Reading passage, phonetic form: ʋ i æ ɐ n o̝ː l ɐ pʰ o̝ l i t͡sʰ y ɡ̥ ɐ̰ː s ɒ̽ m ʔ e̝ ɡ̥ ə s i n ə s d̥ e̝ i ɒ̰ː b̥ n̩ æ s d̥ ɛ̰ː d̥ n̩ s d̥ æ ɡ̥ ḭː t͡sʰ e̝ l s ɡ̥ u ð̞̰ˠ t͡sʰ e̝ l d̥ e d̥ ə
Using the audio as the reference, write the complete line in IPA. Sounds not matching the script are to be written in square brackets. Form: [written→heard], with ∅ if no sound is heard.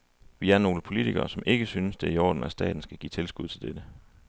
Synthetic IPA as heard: ʋ i æ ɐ n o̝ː l [ɐ→ə] pʰ o̝ l i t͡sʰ [y→i] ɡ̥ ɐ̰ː s ɒ̽ m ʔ e̝ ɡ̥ ə s [i→y] n ə s d̥ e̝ i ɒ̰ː [b̥→d̥] n̩ æ s d̥ ɛ̰ː d̥ n̩ s [d̥→ɡ̥] æ ɡ̥ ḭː t͡sʰ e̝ l s ɡ̥ u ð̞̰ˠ t͡sʰ e̝ l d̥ e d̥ ə